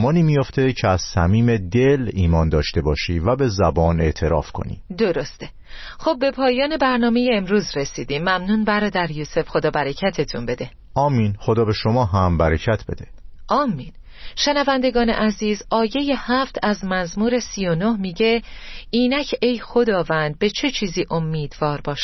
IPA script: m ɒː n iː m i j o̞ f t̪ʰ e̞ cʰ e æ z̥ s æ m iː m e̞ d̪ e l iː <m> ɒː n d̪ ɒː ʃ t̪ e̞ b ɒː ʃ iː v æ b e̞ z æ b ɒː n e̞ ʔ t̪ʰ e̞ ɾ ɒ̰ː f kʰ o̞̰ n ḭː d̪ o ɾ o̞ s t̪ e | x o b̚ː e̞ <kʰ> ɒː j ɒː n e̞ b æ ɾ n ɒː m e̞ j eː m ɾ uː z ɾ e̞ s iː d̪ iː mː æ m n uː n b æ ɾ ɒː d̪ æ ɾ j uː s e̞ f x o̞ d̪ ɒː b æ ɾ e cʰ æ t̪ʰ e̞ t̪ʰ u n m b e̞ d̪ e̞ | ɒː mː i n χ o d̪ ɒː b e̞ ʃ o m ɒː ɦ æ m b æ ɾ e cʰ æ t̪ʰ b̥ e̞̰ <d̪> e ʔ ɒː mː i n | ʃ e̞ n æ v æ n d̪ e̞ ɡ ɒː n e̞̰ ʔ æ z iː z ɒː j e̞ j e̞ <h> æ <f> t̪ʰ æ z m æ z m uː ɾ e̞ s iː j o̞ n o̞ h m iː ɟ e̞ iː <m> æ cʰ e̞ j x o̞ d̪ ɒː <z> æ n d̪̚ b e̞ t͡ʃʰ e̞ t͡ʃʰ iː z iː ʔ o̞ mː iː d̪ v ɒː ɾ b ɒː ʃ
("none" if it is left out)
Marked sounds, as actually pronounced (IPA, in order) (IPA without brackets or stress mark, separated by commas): m, pʰ, d̪, h, f, n, v